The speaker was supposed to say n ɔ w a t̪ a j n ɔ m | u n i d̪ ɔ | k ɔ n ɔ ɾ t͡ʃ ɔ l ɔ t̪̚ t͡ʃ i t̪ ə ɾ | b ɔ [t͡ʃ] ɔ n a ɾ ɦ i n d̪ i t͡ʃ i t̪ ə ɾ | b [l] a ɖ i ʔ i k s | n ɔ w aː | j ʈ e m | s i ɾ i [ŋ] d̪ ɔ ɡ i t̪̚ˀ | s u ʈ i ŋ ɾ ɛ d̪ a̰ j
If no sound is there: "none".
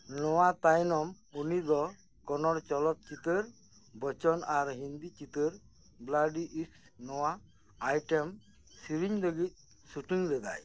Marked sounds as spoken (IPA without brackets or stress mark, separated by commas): t͡ʃ, l, ɲ